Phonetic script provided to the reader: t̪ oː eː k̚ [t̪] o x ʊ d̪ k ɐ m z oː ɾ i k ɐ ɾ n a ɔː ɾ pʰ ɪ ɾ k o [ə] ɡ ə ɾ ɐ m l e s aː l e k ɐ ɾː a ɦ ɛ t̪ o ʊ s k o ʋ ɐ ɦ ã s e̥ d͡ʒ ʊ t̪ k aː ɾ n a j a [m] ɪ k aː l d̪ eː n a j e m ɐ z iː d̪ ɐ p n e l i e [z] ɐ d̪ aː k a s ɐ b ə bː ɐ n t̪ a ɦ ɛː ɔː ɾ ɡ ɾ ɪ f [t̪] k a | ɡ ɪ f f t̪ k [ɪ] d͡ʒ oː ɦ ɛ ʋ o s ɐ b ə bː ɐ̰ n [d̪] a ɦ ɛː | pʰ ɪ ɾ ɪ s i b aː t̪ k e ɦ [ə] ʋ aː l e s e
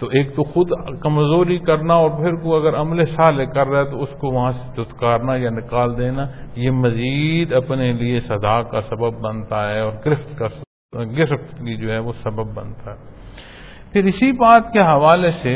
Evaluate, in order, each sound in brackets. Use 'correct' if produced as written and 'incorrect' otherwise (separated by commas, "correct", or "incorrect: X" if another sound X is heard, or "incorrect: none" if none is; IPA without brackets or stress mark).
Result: correct, incorrect: ɐ, incorrect: n, incorrect: s, correct, incorrect: i, incorrect: t̪, incorrect: ɐ